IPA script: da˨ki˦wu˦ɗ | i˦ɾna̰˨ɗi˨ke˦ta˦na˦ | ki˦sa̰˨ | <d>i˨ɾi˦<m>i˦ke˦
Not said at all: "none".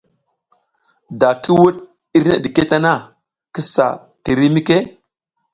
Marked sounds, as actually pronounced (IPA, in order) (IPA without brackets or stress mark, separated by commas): t, m